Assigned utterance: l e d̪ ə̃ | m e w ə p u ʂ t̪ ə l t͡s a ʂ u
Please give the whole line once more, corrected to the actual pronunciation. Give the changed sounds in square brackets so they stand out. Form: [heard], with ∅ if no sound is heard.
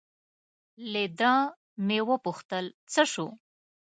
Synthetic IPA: l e d̪ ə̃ | m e w ə p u [x] t̪ ə l t͡s [ə] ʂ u